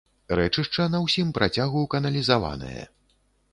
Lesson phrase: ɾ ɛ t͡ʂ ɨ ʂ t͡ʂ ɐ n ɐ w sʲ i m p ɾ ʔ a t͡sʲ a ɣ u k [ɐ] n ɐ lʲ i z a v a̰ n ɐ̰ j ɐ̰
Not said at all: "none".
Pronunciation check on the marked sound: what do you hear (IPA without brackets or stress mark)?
ɐ